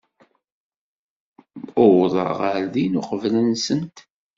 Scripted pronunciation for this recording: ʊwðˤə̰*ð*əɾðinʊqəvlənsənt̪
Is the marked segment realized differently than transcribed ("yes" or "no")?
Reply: yes